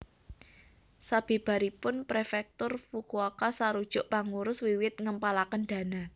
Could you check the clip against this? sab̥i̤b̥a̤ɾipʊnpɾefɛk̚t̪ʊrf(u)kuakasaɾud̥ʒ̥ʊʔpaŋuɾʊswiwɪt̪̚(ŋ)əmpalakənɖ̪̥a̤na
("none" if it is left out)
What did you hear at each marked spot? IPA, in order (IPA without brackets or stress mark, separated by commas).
u, ŋ